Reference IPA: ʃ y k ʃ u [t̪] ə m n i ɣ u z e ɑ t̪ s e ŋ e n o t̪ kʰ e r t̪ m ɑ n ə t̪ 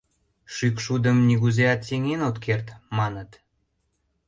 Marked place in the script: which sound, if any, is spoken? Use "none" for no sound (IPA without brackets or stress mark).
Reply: d̪